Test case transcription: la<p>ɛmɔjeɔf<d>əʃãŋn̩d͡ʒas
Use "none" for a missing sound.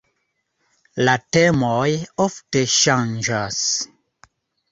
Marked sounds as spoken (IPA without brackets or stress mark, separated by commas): t, t